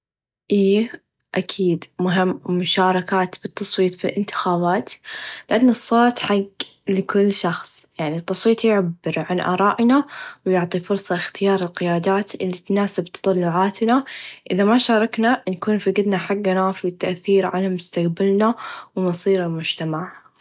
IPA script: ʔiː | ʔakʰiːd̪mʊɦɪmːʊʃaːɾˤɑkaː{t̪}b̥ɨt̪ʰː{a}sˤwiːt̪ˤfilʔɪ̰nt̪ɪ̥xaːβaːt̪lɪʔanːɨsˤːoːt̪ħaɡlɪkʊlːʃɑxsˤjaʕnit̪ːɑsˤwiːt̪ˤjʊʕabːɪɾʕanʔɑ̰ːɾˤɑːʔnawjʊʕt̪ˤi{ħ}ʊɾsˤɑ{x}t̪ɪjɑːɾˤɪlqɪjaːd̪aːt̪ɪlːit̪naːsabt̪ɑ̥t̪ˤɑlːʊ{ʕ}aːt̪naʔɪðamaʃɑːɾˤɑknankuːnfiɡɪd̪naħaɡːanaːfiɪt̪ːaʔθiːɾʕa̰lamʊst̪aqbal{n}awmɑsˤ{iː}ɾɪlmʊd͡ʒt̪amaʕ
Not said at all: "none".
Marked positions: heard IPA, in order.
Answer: t̪, ɑ, f, x, ʕ, n, iː

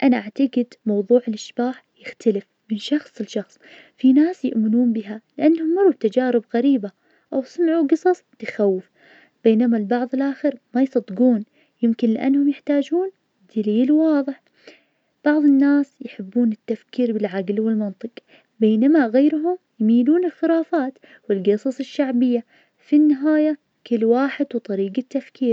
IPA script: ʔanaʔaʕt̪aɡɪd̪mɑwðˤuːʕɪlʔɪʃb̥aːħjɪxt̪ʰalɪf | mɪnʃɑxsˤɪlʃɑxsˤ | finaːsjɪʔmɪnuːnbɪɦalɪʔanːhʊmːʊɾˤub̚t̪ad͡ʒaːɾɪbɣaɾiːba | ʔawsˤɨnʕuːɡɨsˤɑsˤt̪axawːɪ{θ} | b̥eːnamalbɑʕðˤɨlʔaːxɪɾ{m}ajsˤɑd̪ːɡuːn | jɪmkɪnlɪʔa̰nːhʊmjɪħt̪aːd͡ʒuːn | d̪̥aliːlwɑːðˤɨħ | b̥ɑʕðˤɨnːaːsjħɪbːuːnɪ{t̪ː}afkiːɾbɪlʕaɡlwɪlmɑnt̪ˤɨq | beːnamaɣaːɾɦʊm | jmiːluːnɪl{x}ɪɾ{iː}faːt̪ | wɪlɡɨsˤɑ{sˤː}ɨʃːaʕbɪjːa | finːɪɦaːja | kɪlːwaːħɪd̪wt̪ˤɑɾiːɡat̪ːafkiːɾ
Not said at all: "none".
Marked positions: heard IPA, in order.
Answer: f, m, t̪ː, x, aː, sˤ

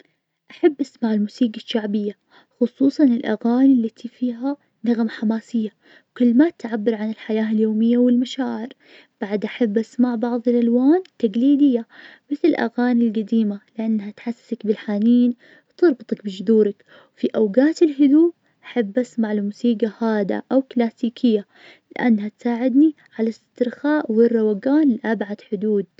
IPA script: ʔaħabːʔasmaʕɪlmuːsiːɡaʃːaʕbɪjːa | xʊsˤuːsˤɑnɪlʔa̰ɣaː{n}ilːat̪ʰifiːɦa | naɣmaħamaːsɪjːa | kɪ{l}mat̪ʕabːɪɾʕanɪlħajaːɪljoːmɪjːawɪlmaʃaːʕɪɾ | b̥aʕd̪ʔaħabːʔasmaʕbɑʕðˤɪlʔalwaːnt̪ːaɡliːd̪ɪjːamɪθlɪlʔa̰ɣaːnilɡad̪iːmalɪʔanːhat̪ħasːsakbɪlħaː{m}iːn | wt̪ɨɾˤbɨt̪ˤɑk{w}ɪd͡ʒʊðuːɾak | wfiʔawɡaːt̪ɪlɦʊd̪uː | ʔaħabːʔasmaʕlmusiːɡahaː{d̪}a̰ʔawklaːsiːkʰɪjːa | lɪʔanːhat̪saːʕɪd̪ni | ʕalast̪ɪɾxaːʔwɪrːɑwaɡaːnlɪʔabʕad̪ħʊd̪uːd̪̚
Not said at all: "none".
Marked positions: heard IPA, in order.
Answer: n, lː, n, b, d̪

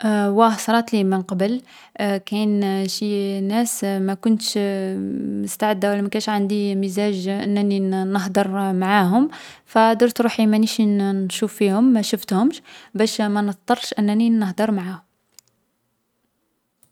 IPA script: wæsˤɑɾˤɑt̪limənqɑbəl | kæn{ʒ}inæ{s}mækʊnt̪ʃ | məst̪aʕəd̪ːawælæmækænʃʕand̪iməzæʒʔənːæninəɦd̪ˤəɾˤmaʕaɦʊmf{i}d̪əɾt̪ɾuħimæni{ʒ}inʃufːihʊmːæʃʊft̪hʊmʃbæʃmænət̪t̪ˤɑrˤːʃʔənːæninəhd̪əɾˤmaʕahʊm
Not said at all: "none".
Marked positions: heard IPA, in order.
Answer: ʃ, s, æ, ʃ

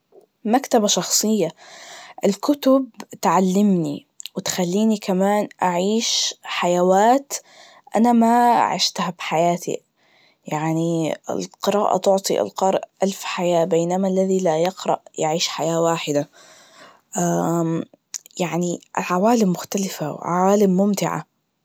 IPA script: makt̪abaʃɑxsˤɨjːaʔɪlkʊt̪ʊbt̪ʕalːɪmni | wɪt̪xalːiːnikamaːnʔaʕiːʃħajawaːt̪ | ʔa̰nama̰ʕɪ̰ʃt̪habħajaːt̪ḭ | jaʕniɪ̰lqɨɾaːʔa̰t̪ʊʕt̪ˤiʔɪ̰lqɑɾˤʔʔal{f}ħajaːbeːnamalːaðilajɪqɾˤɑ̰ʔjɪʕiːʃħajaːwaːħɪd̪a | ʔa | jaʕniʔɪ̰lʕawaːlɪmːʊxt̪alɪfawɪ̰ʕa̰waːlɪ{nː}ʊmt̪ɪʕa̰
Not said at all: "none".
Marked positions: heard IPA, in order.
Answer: f, mː

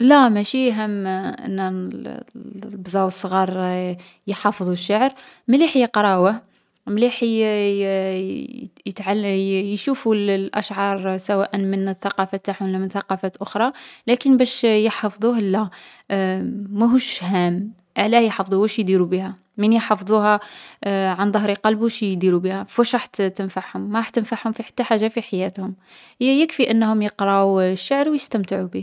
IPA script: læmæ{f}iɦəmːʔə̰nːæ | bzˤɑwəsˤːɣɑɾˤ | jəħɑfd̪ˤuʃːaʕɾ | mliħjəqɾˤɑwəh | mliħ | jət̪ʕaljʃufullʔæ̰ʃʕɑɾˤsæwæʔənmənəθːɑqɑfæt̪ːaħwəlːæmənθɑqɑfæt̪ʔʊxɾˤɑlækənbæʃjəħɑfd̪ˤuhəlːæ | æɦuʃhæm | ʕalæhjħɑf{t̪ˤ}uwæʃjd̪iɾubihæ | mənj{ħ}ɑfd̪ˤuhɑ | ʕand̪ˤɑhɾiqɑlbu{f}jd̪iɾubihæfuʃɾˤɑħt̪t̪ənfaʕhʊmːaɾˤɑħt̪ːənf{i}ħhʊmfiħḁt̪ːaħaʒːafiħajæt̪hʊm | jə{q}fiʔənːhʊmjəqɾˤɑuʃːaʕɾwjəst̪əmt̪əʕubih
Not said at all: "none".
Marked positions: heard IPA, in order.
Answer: ʃ, d̪ˤ, ħ, ʃ, a, k

